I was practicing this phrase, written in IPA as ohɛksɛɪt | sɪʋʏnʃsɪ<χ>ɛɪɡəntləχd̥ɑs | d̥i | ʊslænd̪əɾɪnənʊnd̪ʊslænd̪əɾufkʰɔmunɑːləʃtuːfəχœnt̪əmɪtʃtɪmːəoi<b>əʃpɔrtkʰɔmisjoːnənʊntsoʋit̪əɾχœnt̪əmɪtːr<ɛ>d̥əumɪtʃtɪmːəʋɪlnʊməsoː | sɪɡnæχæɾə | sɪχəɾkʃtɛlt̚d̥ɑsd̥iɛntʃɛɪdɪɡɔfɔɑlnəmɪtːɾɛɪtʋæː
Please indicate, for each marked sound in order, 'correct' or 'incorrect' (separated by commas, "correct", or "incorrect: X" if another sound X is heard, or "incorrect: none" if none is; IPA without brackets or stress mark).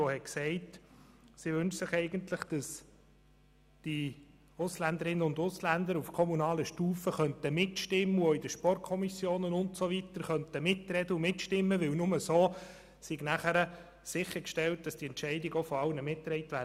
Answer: correct, incorrect: d, correct